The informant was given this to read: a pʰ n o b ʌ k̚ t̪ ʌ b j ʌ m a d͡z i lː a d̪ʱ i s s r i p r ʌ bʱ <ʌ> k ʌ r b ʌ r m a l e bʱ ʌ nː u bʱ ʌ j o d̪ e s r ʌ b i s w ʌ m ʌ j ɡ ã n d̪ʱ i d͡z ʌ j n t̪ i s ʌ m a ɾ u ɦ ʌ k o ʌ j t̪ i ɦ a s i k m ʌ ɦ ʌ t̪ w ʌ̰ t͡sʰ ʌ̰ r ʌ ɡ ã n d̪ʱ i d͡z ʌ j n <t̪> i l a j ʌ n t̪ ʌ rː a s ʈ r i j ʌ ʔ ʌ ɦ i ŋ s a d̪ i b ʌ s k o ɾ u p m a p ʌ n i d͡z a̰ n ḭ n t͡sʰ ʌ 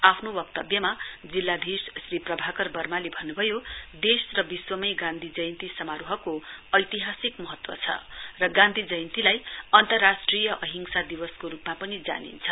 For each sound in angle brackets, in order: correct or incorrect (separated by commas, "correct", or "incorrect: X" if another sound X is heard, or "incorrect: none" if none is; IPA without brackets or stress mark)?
incorrect: a, correct